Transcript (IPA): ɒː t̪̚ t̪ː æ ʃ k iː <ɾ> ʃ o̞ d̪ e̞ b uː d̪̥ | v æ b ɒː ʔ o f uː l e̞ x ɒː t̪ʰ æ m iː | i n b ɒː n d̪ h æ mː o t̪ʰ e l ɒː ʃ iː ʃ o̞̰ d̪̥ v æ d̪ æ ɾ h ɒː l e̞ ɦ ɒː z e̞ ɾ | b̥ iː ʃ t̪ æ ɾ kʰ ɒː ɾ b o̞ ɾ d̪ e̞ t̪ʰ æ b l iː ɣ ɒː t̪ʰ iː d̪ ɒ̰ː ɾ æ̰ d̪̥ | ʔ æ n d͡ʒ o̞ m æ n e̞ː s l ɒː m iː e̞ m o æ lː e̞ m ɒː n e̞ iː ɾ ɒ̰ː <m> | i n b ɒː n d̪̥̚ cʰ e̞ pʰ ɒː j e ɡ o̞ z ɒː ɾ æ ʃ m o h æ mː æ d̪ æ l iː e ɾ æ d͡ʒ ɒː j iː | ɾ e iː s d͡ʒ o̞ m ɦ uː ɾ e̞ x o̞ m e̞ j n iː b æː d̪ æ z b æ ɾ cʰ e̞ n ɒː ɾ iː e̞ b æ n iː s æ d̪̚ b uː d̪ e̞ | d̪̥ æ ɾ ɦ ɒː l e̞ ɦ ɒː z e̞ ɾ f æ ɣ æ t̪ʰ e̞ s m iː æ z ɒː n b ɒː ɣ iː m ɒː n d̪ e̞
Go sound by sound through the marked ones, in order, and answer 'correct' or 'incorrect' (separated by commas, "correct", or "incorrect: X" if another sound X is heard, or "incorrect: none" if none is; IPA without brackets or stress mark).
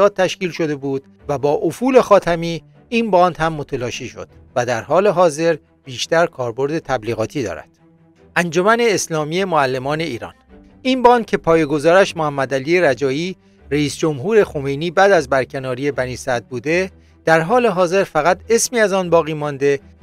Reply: incorrect: l, incorrect: n